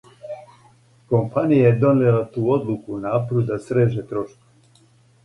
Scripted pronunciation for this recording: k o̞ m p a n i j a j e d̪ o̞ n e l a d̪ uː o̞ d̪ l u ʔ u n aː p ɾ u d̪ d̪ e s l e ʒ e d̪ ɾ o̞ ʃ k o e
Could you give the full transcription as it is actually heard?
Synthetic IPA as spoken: k o̞ m p a n i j a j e d̪ o̞ n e l a t̪ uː o̞ d̪ l u k u n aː p ɾ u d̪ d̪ a s ɾ e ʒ e t̪ ɾ o̞ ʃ k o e

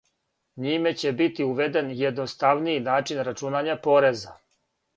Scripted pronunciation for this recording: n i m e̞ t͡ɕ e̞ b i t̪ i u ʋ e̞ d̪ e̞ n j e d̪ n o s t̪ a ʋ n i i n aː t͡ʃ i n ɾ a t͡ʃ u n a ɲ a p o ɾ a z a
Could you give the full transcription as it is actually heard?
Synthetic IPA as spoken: ɲ i m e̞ t͡ɕ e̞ b i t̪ i u ʋ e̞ d̪ e̞ n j e d̪ n o s t̪ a ʋ n i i n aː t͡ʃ i n ɾ a t͡ʃ u n a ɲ a p o ɾ e z a

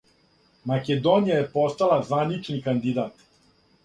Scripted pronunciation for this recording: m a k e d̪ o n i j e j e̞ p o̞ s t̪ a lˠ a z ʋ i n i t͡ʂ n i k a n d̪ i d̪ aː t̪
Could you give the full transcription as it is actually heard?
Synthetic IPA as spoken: m a k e d̪ o n i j a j e̞ p o̞ s t̪ a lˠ a z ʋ a n i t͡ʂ n i k a n d̪ i d̪ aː t̪

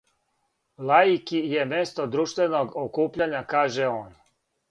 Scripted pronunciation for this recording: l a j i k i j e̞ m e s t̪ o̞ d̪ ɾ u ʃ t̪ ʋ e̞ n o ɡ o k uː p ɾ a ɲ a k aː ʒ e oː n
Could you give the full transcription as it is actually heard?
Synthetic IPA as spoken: l a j i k i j e̞ m e s t̪ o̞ d̪ ɾ u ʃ t̪ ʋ e̞ n o ɡ o k uː p ʎ a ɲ a k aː ʒ e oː n

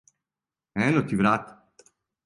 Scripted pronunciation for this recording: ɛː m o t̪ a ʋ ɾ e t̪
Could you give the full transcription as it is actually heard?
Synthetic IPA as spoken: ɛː n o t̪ i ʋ ɾ a t̪

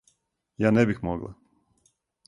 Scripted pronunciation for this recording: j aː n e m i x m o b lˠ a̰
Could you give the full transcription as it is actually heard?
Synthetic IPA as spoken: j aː n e b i x m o ɡ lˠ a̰

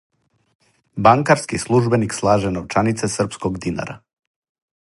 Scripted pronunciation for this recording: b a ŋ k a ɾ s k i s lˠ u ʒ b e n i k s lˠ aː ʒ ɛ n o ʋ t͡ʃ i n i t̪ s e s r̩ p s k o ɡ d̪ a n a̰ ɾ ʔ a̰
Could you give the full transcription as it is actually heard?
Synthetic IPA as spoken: b a ŋ k a ɾ s k i s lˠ u ʒ b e n i k s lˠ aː ʒ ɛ n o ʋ t͡ʃ a n i t̪ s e s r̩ p s k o ɡ d̪ i n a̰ ɾ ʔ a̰

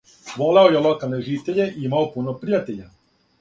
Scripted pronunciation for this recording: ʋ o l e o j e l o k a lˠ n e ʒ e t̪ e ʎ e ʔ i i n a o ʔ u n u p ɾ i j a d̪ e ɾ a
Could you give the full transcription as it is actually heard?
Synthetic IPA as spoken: ʋ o l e o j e l o k a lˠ n e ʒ i t̪ e ʎ e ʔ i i m a o p u n o p ɾ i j a t̪ e ʎ a

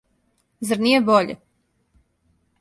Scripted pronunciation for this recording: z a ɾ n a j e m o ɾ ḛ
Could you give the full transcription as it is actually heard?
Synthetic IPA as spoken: z a ɾ n i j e b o ʎ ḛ

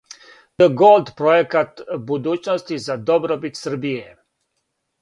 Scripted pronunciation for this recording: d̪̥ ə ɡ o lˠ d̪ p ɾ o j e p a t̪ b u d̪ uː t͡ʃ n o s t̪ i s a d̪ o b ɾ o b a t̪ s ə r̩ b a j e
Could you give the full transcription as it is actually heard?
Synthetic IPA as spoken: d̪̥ ə ɡ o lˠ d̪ p ɾ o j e k a t̪ b u d̪ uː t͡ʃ n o s t̪ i z a d̪ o b ɾ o b i t̪ s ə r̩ b i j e

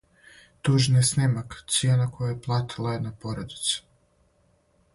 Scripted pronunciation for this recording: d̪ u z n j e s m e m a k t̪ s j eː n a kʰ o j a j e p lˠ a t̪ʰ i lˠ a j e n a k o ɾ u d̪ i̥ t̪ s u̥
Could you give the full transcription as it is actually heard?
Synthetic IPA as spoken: t̪ u ʒ n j e s n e m a k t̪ s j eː n a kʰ o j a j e p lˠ a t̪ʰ i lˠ a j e n a p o ɾ o d̪ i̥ t̪ s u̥

